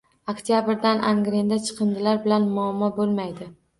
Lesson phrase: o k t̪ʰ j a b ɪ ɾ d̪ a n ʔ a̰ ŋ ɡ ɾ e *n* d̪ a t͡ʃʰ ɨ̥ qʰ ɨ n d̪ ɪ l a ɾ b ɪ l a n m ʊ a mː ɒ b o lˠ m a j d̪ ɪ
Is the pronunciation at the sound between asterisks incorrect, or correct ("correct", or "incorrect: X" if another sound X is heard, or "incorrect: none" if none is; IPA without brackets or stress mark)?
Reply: correct